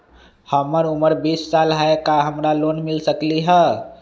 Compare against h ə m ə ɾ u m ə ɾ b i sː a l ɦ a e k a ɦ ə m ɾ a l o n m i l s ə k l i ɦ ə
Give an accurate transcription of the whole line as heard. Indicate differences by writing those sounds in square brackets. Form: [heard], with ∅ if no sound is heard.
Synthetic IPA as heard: h ə m ə ɾ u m ə ɾ b i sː a l ɦ a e k a ɦ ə m ɾ a l o n m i l s ə k l i ɦ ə